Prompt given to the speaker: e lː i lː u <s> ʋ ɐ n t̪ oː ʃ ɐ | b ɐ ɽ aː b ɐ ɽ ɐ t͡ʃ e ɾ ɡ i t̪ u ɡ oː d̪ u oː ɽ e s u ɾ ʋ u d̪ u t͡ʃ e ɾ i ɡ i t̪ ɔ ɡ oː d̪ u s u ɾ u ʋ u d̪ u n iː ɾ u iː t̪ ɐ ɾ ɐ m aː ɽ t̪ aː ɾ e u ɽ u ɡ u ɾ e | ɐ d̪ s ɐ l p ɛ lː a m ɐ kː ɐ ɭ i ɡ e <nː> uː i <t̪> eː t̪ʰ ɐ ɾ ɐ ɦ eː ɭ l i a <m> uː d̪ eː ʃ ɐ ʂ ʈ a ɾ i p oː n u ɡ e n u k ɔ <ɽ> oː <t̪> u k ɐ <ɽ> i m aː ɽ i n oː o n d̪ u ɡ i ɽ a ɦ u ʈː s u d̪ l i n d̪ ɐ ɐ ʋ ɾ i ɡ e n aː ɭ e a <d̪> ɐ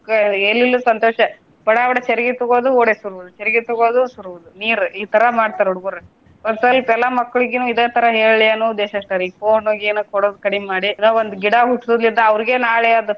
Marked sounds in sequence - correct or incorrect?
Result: correct, incorrect: n, incorrect: d̪, incorrect: n, correct, incorrect: d̪, correct, correct

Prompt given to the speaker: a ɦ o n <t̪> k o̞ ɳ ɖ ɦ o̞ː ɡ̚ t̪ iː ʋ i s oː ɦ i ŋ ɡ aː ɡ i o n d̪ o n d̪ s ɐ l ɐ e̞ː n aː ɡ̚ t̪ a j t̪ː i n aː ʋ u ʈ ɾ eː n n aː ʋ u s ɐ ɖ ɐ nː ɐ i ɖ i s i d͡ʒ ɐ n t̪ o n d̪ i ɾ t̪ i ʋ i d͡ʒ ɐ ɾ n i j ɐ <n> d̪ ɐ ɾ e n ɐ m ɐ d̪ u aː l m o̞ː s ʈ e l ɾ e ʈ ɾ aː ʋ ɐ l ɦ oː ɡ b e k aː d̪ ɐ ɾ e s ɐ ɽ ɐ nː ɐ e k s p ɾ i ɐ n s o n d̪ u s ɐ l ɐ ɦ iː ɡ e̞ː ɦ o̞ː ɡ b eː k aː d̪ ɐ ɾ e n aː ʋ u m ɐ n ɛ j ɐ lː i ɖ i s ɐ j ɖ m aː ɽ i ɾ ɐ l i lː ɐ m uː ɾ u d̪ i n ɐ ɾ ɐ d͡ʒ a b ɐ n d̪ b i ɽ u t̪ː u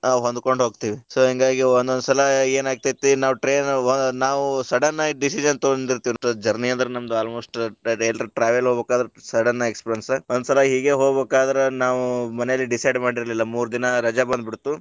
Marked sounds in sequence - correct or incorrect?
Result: incorrect: d̪, correct

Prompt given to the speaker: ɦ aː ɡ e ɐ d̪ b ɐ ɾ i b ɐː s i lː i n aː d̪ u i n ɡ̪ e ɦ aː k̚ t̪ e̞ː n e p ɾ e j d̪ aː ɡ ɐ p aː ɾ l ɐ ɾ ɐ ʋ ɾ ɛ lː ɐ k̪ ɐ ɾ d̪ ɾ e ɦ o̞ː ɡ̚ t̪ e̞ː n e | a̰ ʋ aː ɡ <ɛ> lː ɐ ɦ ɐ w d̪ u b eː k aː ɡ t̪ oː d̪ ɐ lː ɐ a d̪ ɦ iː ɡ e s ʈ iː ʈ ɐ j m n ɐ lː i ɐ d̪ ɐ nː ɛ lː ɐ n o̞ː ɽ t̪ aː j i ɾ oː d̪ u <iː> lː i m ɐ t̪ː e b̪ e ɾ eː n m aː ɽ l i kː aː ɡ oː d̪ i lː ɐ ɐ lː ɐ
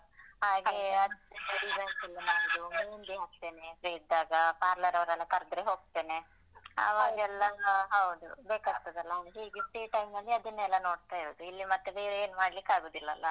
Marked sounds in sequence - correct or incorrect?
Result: correct, incorrect: i

